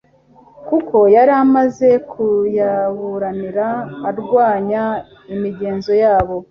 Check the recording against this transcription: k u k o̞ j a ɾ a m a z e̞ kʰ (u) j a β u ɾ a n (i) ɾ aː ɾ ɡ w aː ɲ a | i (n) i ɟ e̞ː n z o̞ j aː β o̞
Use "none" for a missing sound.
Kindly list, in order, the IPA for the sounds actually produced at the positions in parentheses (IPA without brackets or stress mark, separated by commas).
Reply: u, i, m